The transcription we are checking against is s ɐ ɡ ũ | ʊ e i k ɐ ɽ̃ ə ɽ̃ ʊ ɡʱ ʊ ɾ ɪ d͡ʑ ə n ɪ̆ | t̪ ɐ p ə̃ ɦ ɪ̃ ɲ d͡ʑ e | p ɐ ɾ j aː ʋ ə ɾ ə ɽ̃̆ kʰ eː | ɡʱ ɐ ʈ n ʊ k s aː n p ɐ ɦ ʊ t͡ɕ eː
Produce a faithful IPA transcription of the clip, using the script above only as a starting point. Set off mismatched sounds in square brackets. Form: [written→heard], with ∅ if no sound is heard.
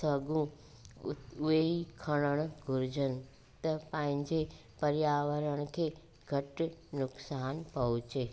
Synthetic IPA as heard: s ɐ ɡ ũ | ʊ e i [k→kʰ] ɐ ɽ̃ ə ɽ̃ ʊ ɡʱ ʊ ɾ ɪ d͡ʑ ə n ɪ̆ | t̪ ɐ p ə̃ ɦ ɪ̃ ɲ d͡ʑ e | p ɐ ɾ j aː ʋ ə ɾ ə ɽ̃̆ kʰ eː | ɡʱ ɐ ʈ n ʊ k s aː n p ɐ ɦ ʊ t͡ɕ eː